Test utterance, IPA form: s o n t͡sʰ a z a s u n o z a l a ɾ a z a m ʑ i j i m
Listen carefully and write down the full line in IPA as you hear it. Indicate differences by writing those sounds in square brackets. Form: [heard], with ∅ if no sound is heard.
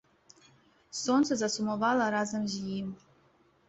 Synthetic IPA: s o n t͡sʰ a z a s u [m] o [v] a l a ɾ a z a m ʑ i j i m